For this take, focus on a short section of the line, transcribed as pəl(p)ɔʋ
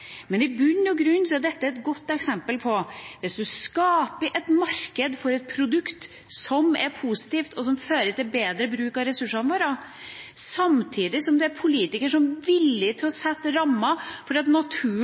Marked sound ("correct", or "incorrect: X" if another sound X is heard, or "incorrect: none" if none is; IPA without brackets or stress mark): incorrect: pʰ